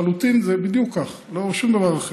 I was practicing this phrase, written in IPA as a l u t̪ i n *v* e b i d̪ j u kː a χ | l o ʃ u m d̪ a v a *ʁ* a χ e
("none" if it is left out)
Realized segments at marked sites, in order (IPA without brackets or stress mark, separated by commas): z, ʁ